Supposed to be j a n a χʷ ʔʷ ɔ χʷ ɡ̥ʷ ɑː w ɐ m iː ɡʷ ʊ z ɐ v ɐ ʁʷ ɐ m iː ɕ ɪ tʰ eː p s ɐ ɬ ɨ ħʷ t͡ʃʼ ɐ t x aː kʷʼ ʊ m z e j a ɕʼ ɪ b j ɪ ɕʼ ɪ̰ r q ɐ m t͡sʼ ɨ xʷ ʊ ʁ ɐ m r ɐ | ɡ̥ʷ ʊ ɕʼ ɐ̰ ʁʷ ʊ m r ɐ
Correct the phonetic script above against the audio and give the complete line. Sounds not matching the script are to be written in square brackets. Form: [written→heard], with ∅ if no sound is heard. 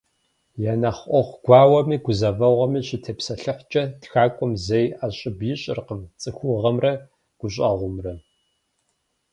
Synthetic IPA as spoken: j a n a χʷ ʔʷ ɔ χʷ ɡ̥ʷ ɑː w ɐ m iː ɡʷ ʊ z ɐ v ɐ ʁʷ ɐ m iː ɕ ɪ tʰ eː p s ɐ ɬ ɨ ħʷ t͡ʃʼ ɐ t x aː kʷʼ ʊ m z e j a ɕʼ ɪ b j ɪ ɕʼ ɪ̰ r q [ɐ→ə] m t͡sʼ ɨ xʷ ʊ ʁ ɐ m r ɐ | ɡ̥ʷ ʊ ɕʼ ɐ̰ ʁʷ ʊ m r ɐ